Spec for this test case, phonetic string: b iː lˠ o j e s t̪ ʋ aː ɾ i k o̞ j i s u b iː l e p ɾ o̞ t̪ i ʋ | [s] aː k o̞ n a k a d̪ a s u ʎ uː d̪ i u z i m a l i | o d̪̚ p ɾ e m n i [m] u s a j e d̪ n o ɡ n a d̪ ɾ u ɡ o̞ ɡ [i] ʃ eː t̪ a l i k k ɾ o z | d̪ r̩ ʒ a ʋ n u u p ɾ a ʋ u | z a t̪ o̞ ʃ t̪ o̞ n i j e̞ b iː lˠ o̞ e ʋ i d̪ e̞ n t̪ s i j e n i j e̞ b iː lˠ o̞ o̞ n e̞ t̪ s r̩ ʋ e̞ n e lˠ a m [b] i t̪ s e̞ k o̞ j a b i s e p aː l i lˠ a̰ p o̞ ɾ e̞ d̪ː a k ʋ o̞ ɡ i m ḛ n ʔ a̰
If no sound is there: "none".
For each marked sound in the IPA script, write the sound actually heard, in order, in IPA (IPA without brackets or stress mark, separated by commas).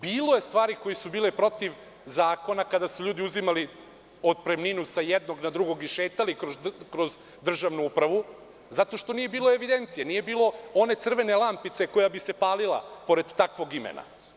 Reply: z, n, i, p